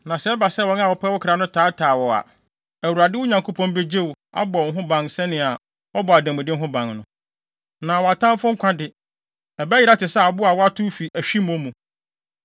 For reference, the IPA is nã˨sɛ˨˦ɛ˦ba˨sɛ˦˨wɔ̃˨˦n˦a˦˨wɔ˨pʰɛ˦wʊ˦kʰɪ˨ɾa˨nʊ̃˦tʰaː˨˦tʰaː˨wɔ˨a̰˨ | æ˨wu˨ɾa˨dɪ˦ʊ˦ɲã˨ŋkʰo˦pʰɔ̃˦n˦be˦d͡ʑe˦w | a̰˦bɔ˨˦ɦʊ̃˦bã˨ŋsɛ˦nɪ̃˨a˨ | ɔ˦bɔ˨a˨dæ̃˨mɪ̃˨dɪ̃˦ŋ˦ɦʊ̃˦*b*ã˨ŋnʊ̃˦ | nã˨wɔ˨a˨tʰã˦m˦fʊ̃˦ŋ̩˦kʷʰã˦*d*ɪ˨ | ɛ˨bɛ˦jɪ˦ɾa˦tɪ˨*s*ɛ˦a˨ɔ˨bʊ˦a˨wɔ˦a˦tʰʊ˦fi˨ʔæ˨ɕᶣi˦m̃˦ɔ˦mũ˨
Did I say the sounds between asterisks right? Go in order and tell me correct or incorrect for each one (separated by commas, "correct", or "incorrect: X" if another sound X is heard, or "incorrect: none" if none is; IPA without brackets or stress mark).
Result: correct, correct, correct